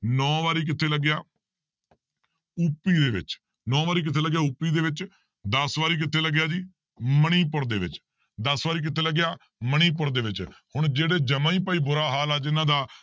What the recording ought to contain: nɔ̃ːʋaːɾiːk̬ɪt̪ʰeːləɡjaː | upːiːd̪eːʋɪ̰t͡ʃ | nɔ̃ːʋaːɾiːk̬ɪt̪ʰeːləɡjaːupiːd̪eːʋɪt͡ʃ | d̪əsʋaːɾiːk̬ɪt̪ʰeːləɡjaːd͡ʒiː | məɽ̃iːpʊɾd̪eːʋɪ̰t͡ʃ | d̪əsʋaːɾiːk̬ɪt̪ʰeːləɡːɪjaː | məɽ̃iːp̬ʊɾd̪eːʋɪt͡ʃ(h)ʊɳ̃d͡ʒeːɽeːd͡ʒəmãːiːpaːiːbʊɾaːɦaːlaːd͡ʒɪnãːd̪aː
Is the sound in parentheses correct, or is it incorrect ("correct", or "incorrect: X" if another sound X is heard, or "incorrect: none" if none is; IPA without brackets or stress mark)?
correct